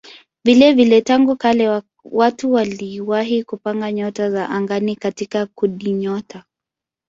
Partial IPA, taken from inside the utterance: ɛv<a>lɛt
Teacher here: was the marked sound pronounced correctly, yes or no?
no